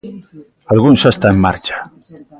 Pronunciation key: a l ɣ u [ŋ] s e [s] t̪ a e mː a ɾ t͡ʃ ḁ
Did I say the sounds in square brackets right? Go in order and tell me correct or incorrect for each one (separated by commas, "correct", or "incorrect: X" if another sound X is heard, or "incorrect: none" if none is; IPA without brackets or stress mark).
incorrect: n, correct